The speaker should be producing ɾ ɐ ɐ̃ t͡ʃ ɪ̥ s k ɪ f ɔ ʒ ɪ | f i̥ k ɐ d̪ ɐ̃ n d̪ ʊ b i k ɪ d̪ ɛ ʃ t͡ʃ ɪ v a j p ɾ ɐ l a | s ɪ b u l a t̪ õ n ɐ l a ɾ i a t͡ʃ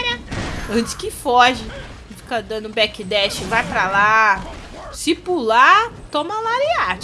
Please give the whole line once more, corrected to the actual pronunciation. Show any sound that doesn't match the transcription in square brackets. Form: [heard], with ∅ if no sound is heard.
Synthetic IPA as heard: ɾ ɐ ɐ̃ t͡ʃ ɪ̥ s k ɪ f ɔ ʒ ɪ | f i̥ k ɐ d̪ ɐ̃ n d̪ ʊ b [ɛ] k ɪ d̪ ɛ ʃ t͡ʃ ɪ v a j p ɾ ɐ l a | s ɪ [p] u l a t̪ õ [m] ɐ l a ɾ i a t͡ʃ